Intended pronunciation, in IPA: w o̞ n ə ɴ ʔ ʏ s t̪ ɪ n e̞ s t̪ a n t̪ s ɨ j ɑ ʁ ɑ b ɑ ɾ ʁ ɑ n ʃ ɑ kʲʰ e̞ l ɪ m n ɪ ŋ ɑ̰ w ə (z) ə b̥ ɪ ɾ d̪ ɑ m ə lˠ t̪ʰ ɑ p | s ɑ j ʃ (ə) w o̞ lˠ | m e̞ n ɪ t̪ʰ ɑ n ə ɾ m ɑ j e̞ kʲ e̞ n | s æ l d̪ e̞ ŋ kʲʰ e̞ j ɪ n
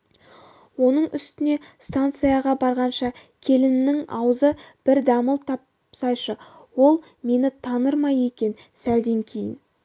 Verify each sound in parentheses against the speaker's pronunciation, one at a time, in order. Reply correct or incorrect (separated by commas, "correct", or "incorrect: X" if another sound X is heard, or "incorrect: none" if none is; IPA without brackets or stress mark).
correct, correct